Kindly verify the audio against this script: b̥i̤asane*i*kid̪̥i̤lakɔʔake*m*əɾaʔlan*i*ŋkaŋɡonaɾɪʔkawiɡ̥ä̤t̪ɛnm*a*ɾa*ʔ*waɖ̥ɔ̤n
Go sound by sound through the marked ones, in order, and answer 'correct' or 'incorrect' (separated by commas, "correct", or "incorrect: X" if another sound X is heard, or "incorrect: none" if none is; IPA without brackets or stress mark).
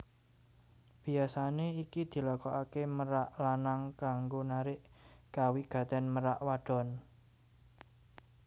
correct, correct, incorrect: a, incorrect: ə, correct